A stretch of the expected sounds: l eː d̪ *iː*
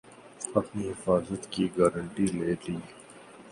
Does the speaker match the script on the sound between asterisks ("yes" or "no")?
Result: yes